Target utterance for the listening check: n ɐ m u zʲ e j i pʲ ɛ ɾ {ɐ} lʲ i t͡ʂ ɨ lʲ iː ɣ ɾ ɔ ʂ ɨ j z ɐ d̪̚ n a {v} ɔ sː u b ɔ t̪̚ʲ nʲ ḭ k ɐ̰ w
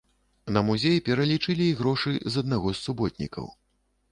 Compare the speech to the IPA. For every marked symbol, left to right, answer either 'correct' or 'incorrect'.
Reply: correct, incorrect: ɣ

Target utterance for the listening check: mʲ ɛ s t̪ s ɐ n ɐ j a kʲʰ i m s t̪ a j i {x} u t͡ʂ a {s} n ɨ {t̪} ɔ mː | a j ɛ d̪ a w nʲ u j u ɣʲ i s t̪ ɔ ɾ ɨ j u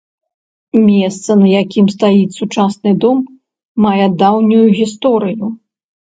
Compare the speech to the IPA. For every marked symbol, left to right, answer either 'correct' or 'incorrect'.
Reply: incorrect: s, correct, incorrect: d̪

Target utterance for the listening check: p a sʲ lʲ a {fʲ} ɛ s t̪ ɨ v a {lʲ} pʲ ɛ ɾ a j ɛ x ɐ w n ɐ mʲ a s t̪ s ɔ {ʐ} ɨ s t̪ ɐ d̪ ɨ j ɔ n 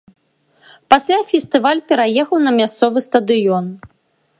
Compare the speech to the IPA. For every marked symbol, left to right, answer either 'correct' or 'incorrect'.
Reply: correct, correct, incorrect: v

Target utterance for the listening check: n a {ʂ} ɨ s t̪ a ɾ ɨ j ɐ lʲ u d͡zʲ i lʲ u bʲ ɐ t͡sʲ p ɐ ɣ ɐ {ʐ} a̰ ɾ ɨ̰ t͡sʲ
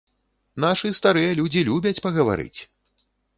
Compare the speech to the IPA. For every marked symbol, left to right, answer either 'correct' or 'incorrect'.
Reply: correct, incorrect: v

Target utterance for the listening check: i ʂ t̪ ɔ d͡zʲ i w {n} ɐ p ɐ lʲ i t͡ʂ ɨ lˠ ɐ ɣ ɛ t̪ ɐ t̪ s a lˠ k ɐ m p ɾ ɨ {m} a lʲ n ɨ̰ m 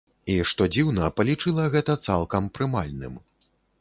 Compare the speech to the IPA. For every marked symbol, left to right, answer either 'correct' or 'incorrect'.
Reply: correct, correct

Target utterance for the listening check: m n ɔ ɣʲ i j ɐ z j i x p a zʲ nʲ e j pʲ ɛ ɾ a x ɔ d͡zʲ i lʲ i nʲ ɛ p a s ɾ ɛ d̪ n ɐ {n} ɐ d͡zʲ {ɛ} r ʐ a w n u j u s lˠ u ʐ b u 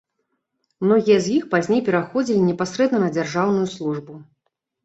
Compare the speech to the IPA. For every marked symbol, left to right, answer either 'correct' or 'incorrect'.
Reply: correct, incorrect: a

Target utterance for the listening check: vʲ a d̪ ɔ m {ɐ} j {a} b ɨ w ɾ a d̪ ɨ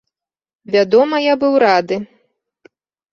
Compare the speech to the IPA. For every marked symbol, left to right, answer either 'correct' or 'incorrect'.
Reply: correct, correct

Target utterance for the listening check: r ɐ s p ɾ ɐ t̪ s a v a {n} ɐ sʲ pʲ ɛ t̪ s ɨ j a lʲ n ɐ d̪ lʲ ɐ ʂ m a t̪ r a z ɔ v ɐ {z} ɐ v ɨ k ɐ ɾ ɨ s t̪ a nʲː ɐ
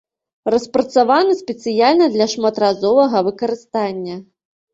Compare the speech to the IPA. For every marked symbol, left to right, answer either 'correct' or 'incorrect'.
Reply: correct, incorrect: ɣ

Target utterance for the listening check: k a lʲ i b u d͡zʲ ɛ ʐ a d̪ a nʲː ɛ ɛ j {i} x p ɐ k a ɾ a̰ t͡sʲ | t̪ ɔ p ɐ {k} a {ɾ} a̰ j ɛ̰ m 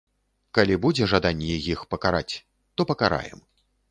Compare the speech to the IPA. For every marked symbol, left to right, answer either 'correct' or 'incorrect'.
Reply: correct, correct, correct

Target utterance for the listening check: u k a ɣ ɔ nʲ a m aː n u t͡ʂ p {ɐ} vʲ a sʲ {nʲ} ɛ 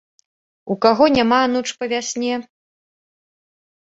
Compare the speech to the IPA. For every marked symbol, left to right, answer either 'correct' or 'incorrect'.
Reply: correct, correct

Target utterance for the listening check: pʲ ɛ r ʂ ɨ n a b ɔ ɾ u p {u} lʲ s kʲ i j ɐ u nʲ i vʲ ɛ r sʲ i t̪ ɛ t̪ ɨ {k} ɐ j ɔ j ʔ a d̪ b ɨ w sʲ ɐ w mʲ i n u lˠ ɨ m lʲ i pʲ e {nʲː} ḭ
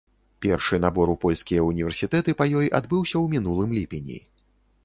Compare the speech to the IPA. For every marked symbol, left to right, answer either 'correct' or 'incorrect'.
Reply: incorrect: ɔ, incorrect: p, incorrect: nʲ

